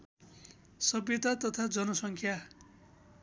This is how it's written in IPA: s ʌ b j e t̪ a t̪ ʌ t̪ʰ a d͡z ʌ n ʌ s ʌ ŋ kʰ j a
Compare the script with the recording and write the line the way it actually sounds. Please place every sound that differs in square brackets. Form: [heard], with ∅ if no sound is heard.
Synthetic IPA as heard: s ʌ b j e t̪ a t̪ ʌ t̪ʰ a d͡z ʌ n ʌ s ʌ ŋ kʰ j a